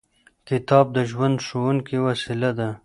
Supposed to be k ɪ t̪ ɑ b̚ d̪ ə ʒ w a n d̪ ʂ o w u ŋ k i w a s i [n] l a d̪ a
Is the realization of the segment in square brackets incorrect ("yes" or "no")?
yes